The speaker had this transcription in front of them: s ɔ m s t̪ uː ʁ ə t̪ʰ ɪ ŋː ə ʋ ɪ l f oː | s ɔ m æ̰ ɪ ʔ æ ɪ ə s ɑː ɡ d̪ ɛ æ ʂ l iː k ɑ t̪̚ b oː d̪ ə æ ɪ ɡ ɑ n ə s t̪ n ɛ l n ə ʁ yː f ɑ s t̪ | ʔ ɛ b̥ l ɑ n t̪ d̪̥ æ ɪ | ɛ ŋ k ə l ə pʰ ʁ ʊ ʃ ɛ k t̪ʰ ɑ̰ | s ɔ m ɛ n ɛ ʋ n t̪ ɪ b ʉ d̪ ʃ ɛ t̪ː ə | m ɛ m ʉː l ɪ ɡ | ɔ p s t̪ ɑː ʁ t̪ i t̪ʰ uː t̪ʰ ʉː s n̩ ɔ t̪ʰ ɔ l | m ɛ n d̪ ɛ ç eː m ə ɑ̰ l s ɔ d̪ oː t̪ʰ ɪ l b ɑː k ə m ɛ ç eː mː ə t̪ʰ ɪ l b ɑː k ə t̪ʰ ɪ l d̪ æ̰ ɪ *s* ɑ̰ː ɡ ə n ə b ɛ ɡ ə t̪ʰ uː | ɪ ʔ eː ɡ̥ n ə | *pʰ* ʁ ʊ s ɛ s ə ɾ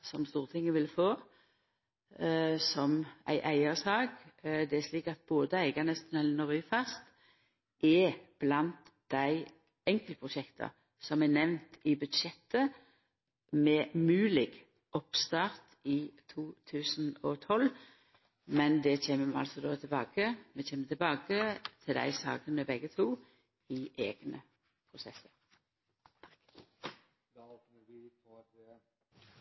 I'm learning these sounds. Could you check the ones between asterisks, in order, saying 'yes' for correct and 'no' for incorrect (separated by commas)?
yes, yes